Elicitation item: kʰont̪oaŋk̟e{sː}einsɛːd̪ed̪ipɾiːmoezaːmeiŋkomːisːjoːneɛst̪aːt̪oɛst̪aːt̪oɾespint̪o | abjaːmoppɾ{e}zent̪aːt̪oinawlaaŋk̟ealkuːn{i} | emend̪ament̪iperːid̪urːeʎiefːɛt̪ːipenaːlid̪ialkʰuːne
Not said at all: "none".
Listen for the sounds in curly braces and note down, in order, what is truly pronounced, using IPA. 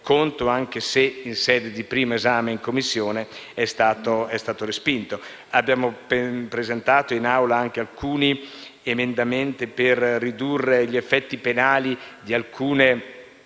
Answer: s, e, i

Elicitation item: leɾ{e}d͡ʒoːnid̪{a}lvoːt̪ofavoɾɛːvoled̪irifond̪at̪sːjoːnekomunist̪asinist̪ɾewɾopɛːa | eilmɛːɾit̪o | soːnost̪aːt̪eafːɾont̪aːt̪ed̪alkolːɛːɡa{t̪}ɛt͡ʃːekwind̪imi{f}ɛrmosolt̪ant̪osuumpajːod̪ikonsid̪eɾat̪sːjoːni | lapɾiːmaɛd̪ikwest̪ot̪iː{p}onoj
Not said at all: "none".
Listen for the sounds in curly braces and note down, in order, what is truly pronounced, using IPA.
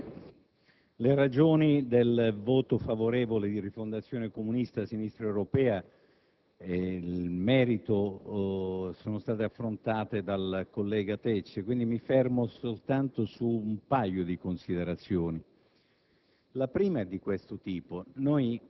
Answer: a, e, t̪, f, p

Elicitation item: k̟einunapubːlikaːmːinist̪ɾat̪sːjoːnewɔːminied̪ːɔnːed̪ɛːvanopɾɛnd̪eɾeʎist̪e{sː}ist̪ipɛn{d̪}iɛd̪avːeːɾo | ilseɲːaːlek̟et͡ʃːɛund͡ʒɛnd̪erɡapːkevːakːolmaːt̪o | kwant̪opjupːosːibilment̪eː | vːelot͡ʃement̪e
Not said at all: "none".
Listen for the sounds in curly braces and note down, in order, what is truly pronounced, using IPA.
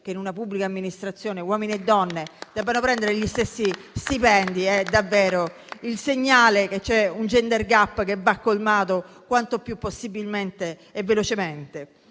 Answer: sː, d̪

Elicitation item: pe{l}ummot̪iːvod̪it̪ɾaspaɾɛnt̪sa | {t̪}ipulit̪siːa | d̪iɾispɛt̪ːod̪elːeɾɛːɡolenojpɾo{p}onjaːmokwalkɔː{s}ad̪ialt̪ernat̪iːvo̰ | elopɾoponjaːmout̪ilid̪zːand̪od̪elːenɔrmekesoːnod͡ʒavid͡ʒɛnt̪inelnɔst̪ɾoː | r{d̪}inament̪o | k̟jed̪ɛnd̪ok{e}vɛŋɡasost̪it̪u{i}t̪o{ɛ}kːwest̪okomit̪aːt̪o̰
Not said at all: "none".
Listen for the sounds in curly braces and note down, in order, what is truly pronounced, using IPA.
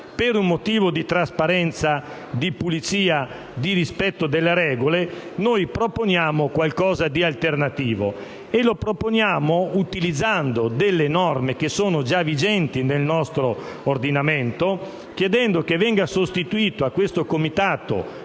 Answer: ɾ, d̪, p, z, d̪, e, iː, a

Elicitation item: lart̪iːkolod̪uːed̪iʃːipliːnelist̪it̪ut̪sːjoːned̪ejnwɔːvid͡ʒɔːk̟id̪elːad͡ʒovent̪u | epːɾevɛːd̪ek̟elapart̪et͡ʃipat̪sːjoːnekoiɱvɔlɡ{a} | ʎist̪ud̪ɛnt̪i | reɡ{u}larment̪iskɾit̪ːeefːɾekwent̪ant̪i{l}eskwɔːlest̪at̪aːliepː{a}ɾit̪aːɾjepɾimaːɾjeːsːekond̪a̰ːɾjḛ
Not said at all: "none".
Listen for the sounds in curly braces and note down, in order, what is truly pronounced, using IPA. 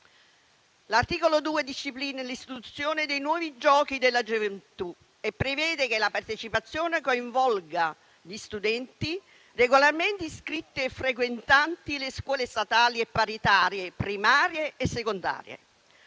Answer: a, o, l, a

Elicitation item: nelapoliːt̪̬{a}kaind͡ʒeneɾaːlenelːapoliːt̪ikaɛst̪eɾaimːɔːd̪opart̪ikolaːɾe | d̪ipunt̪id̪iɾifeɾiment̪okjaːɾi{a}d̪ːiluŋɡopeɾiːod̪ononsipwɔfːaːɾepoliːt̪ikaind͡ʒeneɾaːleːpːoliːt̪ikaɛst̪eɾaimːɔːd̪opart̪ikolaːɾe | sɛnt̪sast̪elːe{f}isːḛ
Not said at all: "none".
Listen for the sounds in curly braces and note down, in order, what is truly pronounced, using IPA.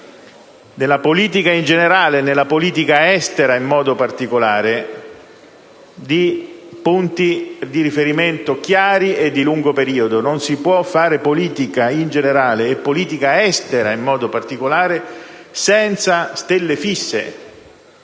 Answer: i, e, f

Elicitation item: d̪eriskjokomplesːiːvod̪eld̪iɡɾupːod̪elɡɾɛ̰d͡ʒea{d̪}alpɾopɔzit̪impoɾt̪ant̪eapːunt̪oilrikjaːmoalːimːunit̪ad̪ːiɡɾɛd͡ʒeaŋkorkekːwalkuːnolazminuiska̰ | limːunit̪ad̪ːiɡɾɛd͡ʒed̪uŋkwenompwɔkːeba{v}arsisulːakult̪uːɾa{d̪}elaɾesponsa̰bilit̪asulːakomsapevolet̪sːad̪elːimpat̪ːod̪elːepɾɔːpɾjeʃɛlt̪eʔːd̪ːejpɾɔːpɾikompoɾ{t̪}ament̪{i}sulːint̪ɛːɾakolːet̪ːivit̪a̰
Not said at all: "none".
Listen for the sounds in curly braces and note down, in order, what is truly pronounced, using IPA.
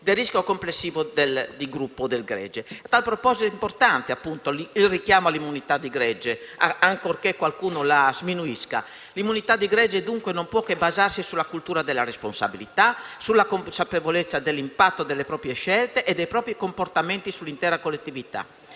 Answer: t̪, z, d̪, t̪, i

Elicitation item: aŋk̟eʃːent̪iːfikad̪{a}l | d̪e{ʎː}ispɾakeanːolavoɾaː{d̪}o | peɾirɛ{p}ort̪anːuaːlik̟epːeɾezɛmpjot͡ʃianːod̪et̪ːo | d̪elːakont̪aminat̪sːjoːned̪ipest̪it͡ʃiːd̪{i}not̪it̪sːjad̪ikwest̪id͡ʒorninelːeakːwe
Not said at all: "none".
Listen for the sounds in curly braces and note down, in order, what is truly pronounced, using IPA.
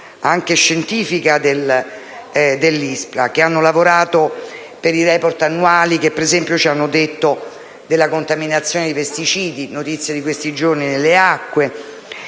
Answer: e, lː, t̪, p, i

